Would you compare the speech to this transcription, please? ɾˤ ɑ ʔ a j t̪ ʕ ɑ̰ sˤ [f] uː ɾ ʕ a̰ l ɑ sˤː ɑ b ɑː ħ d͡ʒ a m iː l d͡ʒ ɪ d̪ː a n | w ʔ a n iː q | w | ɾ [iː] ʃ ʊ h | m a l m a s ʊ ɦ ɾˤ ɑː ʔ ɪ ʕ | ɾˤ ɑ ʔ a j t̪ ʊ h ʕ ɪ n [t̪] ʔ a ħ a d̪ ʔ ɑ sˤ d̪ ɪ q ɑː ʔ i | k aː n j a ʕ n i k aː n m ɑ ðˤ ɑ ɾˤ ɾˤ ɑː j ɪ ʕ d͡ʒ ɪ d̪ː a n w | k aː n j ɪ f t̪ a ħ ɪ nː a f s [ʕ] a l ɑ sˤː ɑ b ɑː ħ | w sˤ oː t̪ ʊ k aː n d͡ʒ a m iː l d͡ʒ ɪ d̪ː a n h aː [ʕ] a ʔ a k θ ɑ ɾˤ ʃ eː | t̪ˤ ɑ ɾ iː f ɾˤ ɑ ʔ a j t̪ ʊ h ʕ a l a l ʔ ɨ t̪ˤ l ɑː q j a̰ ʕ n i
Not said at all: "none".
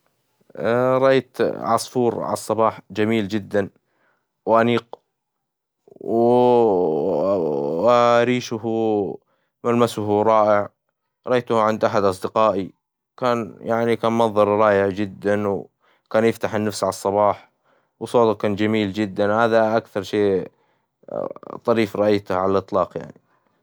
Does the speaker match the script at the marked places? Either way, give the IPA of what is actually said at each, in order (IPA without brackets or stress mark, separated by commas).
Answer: f, iː, d̪, ʕ, ð